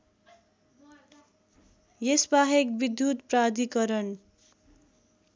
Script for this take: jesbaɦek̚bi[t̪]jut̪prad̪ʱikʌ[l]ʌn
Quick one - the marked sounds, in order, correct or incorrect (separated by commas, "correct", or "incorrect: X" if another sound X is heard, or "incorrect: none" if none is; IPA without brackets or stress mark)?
incorrect: d̪, incorrect: ɾ